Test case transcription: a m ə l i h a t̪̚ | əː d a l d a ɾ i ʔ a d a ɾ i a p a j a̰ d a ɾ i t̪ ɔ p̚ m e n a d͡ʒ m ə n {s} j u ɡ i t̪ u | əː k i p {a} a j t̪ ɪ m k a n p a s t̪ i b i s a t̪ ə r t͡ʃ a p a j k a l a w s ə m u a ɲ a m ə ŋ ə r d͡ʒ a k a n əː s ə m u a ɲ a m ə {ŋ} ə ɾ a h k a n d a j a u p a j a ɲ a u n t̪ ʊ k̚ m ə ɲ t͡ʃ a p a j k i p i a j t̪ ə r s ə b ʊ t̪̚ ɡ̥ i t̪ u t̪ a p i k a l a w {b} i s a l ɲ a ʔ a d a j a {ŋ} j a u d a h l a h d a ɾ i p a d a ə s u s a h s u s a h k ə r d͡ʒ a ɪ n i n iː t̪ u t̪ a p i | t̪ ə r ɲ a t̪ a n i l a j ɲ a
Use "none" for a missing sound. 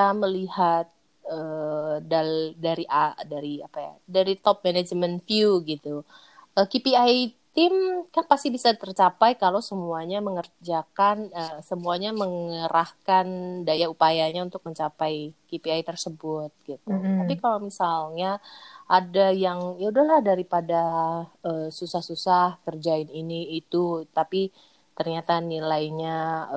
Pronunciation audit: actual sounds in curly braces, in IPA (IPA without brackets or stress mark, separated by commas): f, i, ŋ, m, ŋ